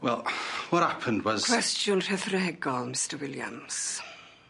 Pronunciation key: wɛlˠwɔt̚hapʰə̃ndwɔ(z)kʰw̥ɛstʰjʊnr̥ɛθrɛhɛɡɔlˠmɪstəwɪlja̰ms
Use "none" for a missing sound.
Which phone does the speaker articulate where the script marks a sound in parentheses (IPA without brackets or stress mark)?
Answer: z